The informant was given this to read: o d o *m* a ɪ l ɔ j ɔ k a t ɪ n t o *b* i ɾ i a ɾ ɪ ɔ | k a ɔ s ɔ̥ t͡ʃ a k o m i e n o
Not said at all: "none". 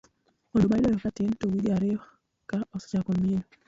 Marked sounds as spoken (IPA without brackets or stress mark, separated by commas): m, w